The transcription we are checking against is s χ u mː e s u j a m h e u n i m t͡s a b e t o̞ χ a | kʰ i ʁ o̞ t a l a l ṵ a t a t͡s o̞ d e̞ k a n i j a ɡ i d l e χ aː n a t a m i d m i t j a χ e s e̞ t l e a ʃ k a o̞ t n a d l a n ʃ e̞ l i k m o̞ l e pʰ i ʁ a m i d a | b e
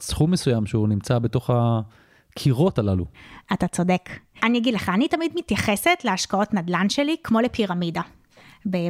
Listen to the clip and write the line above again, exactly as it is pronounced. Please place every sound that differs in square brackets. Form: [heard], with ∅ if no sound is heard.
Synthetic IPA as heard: s χ u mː e s u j a m [ʃ] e u n i m t͡s a b e t o̞ χ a | kʰ i ʁ o̞ t a l a l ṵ a t a t͡s o̞ d e̞ k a n i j a ɡ i d l e χ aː n [i] t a m i d m i t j a χ e s e̞ t l e a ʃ k a o̞ t n a d l a n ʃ e̞ l i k m o̞ l e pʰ i ʁ a m i d a | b e